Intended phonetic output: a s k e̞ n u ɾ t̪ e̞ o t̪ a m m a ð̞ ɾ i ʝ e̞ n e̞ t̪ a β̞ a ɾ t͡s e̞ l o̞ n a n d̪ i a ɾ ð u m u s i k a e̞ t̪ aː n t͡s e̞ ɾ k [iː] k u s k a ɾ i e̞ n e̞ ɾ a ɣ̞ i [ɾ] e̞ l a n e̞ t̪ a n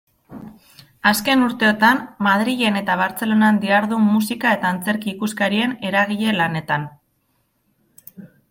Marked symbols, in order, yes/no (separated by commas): yes, no